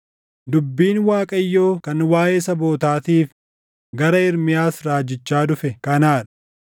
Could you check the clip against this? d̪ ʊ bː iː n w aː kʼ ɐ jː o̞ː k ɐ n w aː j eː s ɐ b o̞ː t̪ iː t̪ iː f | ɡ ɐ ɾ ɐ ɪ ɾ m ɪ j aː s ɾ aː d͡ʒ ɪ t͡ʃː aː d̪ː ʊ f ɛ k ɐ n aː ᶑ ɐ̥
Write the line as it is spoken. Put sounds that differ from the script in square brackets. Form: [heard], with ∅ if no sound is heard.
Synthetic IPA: d̪ ʊ bː iː n w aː kʼ ɐ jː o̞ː k ɐ n w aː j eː s ɐ b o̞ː t̪ [aː] t̪ iː f | ɡ ɐ ɾ ɐ ɪ ɾ m ɪ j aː s ɾ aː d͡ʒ ɪ t͡ʃː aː [d̪] ʊ f ɛ k ɐ n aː ᶑ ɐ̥